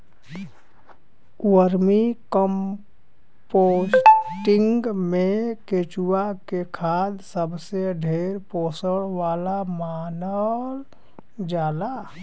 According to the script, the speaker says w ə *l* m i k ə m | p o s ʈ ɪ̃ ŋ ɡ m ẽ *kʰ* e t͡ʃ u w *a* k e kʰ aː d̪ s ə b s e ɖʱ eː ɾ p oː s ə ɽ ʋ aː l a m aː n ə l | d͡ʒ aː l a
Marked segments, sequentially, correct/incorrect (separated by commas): incorrect, incorrect, correct